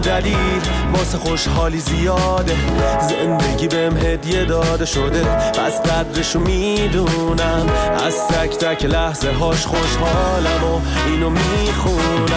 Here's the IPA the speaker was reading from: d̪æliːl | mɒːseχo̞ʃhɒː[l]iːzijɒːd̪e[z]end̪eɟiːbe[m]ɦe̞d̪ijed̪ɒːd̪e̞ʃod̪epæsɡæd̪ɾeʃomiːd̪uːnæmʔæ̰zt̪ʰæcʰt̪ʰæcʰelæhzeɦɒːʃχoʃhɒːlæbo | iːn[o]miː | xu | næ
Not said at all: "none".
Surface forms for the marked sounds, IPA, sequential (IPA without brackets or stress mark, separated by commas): l, z, m, o